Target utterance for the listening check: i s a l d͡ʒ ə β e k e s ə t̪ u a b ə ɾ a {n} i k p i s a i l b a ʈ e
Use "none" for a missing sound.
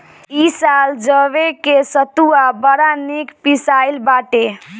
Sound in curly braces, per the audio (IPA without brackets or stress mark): n